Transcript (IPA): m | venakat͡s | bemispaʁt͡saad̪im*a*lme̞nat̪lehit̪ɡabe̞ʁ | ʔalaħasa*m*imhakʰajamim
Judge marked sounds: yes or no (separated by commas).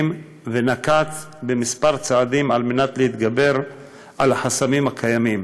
yes, yes